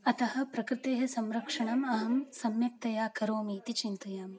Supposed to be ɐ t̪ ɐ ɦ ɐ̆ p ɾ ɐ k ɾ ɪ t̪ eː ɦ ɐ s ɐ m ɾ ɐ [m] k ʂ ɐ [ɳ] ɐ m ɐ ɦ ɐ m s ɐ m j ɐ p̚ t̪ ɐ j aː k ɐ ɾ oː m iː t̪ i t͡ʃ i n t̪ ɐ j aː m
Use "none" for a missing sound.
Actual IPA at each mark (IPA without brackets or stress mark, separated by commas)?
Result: none, ɳ